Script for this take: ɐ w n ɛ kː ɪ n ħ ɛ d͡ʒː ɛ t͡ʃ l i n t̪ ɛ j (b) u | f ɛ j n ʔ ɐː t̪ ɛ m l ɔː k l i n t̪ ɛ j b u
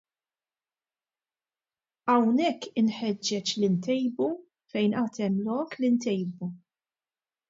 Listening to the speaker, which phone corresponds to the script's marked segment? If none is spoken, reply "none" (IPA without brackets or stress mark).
b